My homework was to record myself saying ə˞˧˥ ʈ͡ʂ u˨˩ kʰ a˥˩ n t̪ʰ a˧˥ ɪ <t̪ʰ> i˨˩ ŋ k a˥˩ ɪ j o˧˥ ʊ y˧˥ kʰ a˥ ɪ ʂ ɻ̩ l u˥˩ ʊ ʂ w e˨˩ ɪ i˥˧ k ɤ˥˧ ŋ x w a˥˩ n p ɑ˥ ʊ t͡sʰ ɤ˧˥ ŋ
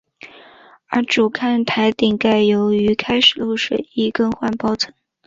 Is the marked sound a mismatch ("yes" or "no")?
yes